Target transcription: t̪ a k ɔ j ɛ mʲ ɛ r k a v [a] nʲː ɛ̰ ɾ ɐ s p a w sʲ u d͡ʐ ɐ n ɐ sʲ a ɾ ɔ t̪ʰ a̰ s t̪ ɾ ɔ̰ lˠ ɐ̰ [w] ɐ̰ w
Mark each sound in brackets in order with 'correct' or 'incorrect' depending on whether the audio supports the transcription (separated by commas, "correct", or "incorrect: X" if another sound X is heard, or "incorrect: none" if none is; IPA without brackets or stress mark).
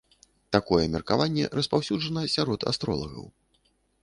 correct, incorrect: ɣ